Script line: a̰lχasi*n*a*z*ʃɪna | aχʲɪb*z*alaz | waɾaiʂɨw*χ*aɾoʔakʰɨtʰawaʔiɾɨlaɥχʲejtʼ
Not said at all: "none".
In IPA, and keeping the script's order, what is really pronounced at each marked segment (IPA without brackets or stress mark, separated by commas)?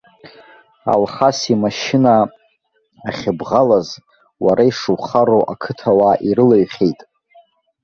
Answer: m, none, ʁ, χ